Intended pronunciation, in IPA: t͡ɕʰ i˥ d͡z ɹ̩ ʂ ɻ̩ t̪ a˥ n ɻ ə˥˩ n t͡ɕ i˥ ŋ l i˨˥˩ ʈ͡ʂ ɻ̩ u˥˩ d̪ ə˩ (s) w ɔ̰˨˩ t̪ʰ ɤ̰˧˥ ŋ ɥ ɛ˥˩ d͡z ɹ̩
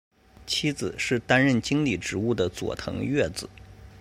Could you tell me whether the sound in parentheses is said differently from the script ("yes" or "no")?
yes